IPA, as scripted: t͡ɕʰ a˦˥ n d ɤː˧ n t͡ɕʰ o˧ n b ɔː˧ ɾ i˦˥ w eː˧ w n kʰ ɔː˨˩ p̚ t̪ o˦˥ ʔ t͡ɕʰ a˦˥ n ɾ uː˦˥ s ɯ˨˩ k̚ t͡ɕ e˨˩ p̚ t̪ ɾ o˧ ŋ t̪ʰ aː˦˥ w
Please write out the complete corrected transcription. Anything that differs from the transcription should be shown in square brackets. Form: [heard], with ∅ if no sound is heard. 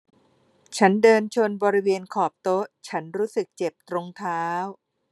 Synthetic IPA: t͡ɕʰ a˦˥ n d ɤː˧ n t͡ɕʰ o˧ n b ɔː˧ ɾ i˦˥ w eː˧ [∅] n kʰ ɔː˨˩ p̚ t̪ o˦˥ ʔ t͡ɕʰ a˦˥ n ɾ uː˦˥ s ɯ˨˩ k̚ t͡ɕ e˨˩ p̚ t̪ ɾ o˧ ŋ t̪ʰ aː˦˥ w